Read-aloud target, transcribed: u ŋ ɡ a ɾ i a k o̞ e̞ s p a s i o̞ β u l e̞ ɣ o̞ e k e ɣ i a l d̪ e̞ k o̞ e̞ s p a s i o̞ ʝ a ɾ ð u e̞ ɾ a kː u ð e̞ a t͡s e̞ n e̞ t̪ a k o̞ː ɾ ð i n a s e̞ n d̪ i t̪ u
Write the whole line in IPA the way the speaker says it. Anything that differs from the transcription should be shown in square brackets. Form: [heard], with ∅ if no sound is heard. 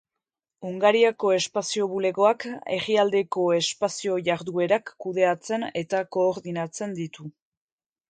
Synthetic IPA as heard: u ŋ ɡ a ɾ i a k o̞ e̞ s p a s i o̞ β u l e̞ ɣ o̞ [a] k e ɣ i a l d̪ e̞ k o̞ e̞ s p a s i o̞ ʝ a ɾ ð u e̞ ɾ a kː u ð e̞ a t͡s e̞ n e̞ t̪ a k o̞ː ɾ ð i n a [t͡s] e̞ n d̪ i t̪ u